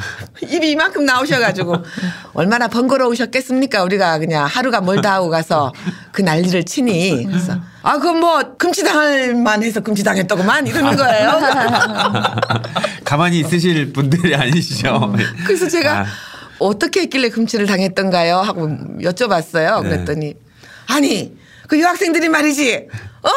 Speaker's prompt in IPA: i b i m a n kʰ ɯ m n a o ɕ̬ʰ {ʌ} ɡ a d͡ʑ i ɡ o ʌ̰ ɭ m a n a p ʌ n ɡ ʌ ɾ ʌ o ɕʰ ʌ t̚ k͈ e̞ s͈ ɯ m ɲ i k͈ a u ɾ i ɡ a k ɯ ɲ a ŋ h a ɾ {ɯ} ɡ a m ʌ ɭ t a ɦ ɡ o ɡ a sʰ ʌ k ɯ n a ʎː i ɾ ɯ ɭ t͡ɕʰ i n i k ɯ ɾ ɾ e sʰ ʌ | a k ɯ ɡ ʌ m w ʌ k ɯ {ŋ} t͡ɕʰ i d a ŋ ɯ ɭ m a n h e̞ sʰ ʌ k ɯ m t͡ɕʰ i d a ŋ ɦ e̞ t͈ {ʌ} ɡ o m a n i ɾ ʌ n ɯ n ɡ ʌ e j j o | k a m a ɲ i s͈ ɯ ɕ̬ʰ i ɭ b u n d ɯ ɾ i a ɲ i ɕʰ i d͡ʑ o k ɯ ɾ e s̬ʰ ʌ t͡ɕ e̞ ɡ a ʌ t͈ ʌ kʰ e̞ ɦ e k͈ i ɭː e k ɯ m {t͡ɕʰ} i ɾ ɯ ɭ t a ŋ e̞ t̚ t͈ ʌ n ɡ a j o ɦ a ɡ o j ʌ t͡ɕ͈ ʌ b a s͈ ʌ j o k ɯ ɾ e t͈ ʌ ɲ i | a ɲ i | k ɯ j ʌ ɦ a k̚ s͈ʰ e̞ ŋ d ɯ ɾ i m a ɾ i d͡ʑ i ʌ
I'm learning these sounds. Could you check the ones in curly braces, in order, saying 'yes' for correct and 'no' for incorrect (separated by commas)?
yes, no, no, yes, yes